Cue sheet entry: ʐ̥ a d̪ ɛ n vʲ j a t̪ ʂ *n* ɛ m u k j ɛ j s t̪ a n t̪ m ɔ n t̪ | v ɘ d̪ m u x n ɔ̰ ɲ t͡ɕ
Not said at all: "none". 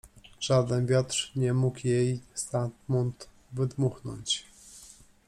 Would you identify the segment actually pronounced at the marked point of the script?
ɲ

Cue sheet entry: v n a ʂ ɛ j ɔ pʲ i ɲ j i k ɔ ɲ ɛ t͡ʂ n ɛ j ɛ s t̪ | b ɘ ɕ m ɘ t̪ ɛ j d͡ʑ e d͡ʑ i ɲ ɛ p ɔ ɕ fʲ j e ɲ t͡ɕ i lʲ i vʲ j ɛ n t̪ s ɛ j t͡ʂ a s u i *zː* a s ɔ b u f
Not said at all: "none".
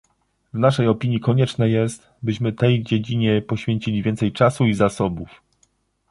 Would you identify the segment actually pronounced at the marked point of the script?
z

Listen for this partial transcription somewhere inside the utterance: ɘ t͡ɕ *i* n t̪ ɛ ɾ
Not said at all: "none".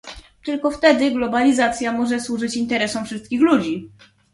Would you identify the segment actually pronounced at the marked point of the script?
i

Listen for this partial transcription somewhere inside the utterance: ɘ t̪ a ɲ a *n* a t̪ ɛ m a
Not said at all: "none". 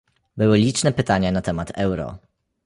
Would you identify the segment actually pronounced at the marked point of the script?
n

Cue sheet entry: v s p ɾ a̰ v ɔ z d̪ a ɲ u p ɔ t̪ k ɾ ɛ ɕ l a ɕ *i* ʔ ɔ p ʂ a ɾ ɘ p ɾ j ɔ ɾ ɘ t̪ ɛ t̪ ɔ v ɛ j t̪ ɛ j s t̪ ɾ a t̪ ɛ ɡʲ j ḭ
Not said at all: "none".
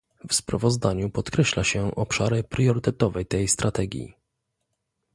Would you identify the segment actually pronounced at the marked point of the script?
ɛ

